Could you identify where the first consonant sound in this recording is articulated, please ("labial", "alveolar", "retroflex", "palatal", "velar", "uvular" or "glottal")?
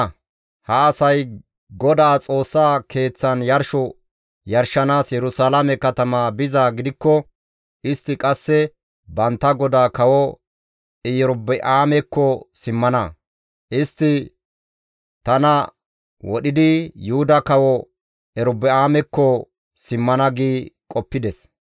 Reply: glottal